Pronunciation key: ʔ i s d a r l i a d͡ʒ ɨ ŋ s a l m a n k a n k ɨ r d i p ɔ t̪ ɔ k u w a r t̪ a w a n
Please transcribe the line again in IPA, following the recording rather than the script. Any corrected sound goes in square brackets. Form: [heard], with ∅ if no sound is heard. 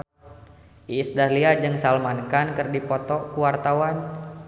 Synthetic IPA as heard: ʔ i s d a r l i a d͡ʒ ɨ ŋ s a l m a n k a n k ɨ r d i p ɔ t̪ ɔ k u w a r t̪ a w a n